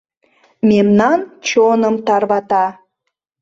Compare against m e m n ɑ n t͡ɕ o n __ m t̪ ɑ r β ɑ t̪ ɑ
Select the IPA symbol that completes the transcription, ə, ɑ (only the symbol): ə